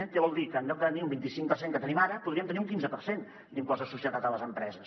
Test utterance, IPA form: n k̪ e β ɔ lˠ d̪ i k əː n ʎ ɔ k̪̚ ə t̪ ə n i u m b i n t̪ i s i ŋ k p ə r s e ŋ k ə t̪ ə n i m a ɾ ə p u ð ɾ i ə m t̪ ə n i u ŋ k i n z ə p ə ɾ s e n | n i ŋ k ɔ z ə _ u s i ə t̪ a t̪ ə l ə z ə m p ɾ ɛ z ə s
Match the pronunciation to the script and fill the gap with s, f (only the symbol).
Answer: s